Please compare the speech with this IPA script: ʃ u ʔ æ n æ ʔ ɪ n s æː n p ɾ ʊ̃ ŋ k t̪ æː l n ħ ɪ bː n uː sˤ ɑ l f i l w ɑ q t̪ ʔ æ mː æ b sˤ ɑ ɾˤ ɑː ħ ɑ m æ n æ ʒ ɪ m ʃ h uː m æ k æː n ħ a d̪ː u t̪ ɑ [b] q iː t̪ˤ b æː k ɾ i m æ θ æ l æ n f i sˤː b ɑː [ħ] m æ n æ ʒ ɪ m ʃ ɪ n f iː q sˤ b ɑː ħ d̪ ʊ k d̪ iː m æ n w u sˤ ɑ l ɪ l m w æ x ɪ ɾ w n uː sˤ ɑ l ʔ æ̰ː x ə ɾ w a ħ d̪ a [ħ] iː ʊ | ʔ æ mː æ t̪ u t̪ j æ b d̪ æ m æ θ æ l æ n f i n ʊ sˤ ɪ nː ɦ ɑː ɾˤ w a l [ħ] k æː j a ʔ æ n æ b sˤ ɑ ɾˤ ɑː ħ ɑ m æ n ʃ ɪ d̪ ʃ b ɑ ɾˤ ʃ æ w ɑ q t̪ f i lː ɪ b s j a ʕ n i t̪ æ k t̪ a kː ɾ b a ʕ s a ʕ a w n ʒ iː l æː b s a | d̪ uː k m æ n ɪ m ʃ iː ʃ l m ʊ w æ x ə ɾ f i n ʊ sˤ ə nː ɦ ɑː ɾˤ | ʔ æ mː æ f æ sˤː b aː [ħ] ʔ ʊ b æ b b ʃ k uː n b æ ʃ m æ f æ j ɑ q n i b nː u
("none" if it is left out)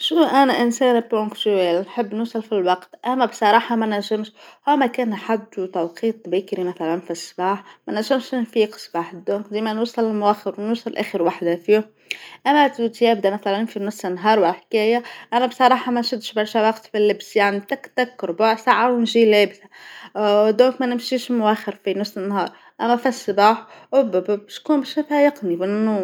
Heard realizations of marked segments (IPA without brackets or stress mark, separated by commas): w, ħ, f, ħ, ħ